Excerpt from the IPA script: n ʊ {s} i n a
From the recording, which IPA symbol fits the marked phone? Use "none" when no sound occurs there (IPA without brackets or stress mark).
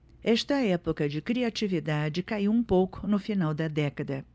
f